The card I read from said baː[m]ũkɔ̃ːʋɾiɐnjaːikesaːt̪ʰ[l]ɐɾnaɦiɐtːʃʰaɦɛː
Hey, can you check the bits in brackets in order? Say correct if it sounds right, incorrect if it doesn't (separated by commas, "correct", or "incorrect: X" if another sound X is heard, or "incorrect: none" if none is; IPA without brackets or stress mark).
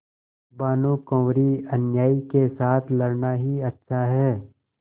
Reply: incorrect: n, correct